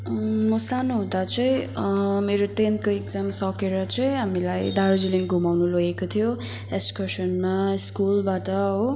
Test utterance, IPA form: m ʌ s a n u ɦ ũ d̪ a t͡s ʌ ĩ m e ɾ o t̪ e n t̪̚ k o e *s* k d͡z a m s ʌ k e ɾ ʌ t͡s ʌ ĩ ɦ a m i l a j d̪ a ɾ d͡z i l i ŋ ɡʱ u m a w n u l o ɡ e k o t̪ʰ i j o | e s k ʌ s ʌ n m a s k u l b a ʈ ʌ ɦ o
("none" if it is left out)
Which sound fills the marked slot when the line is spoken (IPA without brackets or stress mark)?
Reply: none